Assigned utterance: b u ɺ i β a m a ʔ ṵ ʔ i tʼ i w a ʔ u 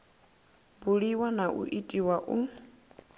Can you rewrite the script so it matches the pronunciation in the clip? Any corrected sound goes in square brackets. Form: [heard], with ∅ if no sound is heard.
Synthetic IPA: b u ɺ i [w] a [n] a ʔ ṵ ʔ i tʼ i w a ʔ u